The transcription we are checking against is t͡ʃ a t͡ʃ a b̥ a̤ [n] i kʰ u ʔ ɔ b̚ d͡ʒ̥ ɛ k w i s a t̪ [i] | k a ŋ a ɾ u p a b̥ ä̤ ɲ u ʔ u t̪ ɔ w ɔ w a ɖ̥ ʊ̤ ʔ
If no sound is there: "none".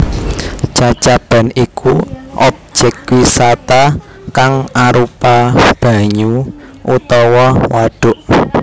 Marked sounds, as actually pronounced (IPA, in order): n, a

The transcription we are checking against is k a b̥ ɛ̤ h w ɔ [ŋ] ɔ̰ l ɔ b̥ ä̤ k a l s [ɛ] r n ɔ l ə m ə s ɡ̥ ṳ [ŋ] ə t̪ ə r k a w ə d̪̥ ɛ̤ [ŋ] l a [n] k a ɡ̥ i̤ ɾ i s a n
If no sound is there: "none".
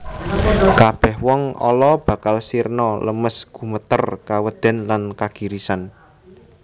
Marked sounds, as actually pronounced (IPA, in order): ŋ, i, m, n, n

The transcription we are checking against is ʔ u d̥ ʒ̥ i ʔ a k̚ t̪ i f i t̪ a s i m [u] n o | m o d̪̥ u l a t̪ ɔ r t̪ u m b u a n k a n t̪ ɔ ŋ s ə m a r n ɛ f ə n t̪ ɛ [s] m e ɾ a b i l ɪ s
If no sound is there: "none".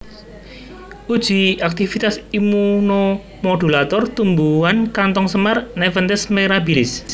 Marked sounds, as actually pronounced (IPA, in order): u, s

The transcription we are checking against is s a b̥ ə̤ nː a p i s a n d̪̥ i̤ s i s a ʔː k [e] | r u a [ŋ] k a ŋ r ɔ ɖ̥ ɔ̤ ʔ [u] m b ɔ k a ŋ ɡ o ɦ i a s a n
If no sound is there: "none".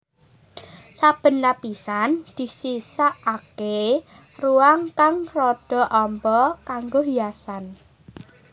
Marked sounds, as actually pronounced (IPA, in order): e, ŋ, ɔ

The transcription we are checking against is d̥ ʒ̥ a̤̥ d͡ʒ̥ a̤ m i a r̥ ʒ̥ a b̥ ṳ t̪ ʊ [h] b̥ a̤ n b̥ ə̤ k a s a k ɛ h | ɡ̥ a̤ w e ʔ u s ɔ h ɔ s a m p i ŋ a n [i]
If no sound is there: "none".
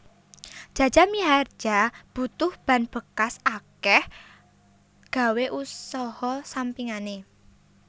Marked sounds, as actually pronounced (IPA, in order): h, e

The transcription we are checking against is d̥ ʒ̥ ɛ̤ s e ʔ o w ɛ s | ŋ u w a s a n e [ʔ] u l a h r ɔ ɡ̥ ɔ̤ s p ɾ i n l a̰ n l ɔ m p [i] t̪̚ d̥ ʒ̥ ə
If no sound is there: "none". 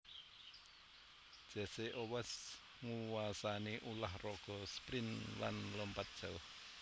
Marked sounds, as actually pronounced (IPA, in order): ʔ, a

